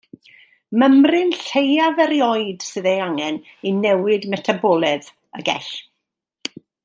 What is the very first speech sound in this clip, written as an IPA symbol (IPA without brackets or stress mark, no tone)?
m